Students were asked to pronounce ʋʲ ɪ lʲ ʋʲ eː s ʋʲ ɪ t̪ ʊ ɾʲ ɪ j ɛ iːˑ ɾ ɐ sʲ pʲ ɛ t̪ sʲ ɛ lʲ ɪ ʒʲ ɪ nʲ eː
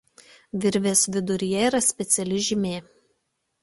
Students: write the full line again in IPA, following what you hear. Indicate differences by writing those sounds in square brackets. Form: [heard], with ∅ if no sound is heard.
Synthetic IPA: ʋʲ ɪ [ɾʲ] ʋʲ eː s ʋʲ ɪ [d̪] ʊ ɾʲ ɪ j ɛ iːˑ ɾ ɐ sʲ pʲ ɛ t̪ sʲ ɛ lʲ ɪ ʒʲ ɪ [mʲ] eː